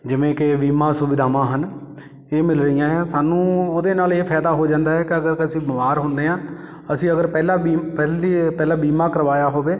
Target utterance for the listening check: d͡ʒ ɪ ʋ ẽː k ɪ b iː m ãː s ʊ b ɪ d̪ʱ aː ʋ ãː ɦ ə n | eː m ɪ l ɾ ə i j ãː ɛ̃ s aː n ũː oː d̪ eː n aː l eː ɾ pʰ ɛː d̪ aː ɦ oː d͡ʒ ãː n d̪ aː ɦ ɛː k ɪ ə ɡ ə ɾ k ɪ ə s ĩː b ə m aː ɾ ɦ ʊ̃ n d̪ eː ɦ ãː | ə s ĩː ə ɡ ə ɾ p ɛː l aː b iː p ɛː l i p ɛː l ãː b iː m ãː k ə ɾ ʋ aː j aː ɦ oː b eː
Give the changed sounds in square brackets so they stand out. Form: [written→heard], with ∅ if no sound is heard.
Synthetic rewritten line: d͡ʒ ɪ ʋ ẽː k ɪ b iː m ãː s ʊ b ɪ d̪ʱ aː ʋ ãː ɦ ə n | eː m ɪ l ɾ ə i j ãː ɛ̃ s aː n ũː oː d̪ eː n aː l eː [ɾ→∅] pʰ ɛː d̪ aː ɦ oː d͡ʒ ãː n d̪ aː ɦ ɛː k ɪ ə ɡ ə ɾ k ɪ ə s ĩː b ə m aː ɾ ɦ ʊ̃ n d̪ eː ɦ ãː | ə s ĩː ə ɡ ə ɾ p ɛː l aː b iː p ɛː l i p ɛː l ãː b iː m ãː k ə ɾ ʋ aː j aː ɦ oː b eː

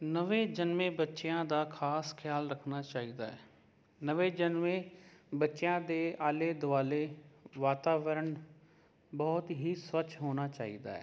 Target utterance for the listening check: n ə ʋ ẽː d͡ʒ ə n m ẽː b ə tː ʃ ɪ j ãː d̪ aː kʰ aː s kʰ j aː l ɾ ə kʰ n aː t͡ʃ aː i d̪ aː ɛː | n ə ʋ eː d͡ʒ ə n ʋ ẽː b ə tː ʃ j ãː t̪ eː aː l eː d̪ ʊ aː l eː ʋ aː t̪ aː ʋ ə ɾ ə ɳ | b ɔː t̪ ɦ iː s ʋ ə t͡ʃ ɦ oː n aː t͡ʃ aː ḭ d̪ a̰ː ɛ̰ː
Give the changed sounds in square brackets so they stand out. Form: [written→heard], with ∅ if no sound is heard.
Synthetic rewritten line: n ə ʋ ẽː d͡ʒ ə n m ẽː b ə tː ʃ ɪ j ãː d̪ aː kʰ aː s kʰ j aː l ɾ ə kʰ n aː t͡ʃ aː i d̪ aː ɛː | n ə ʋ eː d͡ʒ ə n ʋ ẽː b ə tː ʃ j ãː [t̪→d̪] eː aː l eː d̪ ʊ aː l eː ʋ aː t̪ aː ʋ ə ɾ ə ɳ | b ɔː t̪ ɦ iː s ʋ ə t͡ʃ ɦ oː n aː t͡ʃ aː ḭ d̪ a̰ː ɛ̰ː

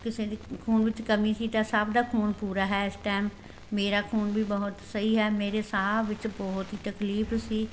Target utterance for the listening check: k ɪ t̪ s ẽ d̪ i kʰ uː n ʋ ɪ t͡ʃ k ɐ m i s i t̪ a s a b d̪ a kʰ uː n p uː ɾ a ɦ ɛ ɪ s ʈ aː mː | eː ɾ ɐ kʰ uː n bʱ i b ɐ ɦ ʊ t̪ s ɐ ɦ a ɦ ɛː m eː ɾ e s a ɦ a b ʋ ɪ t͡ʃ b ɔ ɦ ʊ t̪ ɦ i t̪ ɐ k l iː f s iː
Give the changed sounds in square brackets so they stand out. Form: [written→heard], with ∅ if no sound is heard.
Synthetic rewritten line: k ɪ [t̪→∅] s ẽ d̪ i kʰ uː n ʋ ɪ t͡ʃ k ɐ m i s i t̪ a s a b d̪ a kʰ uː n p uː ɾ a ɦ ɛ ɪ s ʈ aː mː | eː ɾ [ɐ→a] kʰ uː n bʱ i b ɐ ɦ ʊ t̪ s ɐ ɦ [a→i] ɦ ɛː m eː ɾ e s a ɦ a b ʋ ɪ t͡ʃ b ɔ ɦ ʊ t̪ ɦ i t̪ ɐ k l iː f s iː

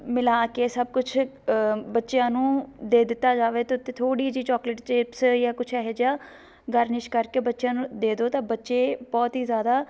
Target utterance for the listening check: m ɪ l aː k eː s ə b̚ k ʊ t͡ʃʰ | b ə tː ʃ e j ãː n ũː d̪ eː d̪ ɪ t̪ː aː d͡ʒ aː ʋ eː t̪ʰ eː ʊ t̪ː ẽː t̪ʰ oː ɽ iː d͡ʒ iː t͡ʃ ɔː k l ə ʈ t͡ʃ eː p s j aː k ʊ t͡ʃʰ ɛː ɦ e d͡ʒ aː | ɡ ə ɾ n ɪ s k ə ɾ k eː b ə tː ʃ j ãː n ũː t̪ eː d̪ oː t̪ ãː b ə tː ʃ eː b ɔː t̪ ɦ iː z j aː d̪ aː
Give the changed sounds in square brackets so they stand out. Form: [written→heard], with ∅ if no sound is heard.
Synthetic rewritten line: m ɪ l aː k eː s ə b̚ k ʊ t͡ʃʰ | b ə tː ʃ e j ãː n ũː d̪ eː d̪ ɪ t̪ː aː d͡ʒ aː ʋ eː [t̪ʰ→t̪] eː ʊ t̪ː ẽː t̪ʰ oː ɽ iː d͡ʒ iː t͡ʃ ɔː k l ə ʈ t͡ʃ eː p s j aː k ʊ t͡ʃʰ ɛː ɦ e d͡ʒ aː | ɡ ə ɾ n ɪ [s→ʃ] k ə ɾ k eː b ə tː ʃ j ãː n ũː [t̪→d̪] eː d̪ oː t̪ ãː b ə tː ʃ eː b ɔː t̪ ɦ iː z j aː d̪ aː

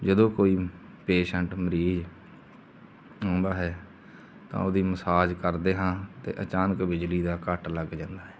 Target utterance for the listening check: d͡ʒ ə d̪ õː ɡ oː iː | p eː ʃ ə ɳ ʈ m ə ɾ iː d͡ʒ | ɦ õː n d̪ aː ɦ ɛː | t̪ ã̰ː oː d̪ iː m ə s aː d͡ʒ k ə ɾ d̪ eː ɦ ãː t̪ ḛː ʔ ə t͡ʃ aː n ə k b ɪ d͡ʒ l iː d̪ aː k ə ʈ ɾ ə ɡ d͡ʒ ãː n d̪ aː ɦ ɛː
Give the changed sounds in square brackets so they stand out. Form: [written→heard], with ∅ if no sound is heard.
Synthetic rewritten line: d͡ʒ ə d̪ õː [ɡ→k] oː iː | p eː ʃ ə ɳ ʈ m ə ɾ iː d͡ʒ | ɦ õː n d̪ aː ɦ ɛː | t̪ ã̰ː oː d̪ iː m ə s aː d͡ʒ k ə ɾ d̪ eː ɦ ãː t̪ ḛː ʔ ə t͡ʃ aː n ə k b ɪ d͡ʒ l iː d̪ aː k ə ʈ [ɾ→l] ə ɡ d͡ʒ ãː n d̪ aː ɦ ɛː

